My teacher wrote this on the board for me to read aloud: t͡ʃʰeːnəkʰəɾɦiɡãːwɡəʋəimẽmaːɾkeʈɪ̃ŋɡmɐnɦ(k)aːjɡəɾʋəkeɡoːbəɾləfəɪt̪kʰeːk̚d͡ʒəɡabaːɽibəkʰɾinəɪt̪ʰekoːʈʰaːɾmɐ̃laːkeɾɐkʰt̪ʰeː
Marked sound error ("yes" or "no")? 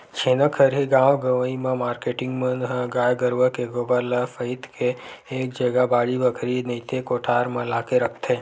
yes